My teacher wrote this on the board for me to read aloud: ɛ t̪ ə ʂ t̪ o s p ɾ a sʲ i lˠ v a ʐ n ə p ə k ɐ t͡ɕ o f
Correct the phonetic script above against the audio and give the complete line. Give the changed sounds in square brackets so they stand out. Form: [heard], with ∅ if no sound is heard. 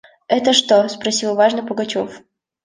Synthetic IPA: ɛ t̪ ə ʂ t̪ o s p ɾ [ɐ] sʲ i lˠ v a ʐ n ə p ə [ɡ] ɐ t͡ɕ o f